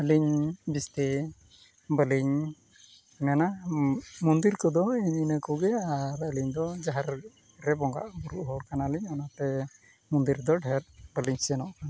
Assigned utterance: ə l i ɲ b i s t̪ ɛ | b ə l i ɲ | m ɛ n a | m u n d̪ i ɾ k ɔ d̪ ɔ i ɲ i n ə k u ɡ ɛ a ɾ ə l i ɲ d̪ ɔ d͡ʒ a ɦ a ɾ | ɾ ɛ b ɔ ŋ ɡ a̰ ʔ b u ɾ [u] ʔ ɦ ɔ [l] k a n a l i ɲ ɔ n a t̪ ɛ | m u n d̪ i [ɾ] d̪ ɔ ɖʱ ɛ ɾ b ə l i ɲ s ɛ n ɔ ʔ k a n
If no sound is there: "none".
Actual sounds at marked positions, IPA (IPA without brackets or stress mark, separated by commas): u, ɽ, ɾ